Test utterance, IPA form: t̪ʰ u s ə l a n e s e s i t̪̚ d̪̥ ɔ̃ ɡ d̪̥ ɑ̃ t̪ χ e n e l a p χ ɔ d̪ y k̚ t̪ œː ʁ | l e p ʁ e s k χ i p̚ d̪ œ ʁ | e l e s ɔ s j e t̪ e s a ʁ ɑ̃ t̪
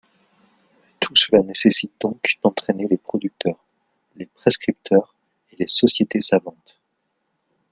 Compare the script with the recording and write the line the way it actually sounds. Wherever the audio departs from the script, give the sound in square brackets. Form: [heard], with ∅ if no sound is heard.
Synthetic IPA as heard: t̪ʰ u s ə l a n e s e s i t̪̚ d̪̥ ɔ̃ [k] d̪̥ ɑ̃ t̪ χ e n e l [e] p χ ɔ d̪ y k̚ t̪ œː ʁ | l e p [χ] e s k χ i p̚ [t̪] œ ʁ | e l e s ɔ s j e t̪ e s a [v] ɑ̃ t̪